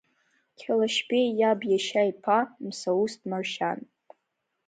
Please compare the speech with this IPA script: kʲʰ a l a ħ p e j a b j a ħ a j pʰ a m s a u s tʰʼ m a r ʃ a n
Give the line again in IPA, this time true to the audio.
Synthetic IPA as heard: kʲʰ a l a ʃ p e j a b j a ʃ a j pʰ a m s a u s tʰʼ m a r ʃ a n